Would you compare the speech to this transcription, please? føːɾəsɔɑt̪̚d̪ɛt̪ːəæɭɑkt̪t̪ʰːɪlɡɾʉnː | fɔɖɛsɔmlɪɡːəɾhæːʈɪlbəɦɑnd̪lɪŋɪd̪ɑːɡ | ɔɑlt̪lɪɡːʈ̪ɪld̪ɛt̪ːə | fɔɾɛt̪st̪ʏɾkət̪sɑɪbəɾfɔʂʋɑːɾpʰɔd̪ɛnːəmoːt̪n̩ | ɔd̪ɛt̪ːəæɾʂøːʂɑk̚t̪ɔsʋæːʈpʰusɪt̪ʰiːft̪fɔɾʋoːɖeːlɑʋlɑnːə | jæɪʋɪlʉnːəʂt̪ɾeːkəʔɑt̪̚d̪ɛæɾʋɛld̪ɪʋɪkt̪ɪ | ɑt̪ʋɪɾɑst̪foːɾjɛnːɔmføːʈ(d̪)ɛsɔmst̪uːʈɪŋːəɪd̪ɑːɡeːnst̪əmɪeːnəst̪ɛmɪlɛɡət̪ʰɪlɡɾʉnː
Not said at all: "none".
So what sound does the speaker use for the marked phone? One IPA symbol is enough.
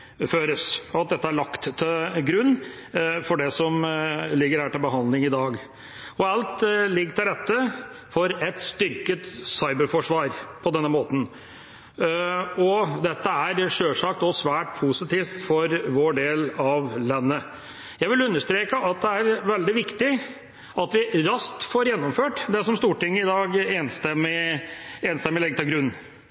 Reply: d̪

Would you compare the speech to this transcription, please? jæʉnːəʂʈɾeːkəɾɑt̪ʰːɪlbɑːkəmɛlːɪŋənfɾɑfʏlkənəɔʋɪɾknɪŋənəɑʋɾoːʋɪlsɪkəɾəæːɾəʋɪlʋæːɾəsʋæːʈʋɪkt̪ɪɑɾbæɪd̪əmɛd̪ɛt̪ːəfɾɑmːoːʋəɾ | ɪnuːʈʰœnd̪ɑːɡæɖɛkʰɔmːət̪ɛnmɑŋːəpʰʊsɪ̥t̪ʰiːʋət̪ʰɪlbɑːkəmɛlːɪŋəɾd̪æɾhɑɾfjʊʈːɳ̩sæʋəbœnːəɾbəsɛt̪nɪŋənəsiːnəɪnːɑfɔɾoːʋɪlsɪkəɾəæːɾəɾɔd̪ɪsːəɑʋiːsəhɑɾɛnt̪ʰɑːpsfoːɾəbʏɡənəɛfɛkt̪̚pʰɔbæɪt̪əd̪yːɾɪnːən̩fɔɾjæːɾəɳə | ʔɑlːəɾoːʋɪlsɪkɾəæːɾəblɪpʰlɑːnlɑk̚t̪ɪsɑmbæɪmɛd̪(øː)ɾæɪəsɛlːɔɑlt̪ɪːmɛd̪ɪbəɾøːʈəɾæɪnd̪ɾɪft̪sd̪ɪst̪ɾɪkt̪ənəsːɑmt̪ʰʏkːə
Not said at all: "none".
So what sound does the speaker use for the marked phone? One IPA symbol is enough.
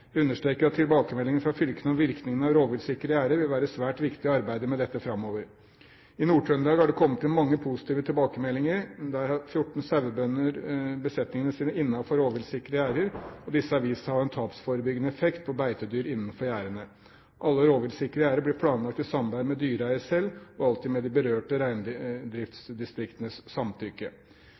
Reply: yː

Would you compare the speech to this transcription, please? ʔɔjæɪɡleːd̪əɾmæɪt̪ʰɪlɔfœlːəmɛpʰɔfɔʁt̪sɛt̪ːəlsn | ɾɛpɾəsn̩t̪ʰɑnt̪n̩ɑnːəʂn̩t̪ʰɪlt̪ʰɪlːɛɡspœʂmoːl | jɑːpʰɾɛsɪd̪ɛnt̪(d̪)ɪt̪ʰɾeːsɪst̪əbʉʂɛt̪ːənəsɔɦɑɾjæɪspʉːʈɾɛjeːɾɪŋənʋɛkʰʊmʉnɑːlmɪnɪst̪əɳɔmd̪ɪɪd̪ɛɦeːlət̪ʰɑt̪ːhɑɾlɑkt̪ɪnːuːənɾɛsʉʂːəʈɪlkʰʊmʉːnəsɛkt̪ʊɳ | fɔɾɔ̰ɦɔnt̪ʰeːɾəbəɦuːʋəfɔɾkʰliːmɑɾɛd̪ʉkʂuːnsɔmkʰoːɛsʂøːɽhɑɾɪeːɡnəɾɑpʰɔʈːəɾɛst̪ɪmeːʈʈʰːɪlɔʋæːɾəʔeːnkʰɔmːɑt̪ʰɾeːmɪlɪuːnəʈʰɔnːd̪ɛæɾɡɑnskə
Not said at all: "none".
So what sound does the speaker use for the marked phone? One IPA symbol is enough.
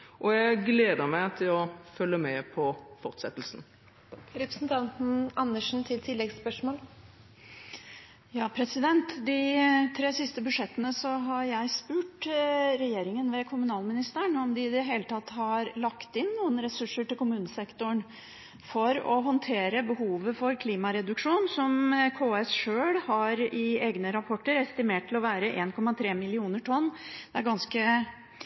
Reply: d̪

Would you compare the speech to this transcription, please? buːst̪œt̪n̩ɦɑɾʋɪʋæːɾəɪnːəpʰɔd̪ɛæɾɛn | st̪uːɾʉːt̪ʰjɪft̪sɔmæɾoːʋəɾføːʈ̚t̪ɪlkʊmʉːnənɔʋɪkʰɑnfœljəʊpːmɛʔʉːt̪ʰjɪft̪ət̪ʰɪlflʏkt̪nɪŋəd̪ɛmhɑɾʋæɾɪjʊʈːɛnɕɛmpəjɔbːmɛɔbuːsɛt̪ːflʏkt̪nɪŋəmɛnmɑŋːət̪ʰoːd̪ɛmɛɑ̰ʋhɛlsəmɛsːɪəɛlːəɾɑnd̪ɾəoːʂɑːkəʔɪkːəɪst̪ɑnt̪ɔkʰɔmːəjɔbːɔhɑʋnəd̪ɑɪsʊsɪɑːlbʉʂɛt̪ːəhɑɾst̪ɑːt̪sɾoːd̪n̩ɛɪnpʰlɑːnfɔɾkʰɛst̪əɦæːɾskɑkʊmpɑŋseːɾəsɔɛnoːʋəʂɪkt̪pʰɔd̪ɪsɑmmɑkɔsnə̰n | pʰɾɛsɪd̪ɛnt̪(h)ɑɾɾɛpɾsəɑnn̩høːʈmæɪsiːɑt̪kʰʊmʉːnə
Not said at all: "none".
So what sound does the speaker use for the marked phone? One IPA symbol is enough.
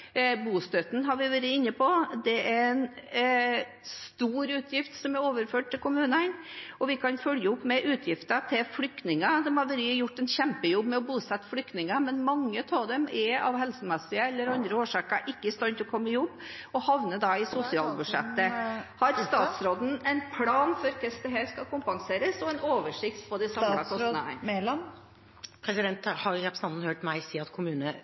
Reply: h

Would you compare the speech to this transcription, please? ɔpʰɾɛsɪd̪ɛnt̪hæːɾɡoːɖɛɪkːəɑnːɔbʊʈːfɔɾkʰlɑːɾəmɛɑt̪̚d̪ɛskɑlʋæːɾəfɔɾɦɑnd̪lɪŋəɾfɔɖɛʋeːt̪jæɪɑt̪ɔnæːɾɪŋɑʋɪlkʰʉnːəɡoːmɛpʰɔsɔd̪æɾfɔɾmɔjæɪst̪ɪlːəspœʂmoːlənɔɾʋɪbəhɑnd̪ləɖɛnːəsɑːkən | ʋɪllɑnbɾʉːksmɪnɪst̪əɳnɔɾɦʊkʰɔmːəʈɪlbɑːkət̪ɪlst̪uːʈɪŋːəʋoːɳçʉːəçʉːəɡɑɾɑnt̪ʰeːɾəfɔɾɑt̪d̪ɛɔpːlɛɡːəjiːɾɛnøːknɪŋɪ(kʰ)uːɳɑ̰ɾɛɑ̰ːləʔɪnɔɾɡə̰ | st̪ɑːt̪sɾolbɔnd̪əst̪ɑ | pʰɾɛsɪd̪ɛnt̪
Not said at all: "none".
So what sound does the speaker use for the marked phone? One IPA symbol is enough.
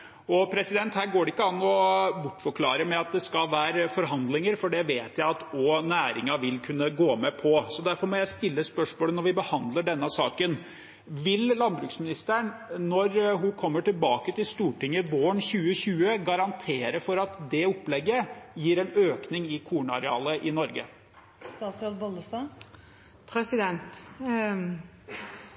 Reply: kʰ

